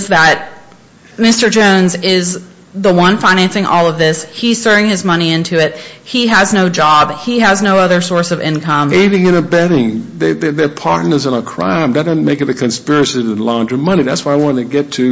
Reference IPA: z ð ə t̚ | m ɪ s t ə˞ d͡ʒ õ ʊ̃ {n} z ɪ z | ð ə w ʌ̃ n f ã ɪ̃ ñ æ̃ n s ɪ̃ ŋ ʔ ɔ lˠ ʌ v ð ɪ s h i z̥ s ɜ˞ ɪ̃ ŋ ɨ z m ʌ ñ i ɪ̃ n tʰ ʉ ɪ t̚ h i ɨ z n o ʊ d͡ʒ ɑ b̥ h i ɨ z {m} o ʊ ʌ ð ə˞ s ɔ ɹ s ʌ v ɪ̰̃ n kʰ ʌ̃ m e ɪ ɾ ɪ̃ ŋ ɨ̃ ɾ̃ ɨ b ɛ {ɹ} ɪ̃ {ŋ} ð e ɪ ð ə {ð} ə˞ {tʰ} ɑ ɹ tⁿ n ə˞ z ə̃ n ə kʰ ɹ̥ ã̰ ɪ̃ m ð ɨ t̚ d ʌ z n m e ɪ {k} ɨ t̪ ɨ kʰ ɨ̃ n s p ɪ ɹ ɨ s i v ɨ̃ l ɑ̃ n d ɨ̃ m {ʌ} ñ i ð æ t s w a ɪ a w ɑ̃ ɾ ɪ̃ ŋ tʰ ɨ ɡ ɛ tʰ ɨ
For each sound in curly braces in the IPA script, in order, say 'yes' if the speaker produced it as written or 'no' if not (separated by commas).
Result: yes, no, no, yes, yes, no, yes, yes